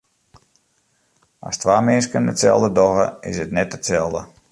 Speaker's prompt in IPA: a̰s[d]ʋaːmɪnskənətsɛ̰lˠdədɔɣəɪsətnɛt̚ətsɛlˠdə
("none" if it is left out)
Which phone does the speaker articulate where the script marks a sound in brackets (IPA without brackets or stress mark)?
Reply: t